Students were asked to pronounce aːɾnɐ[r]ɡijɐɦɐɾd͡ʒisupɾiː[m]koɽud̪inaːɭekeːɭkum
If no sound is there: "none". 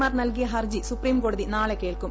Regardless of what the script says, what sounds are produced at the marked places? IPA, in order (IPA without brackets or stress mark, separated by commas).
l, m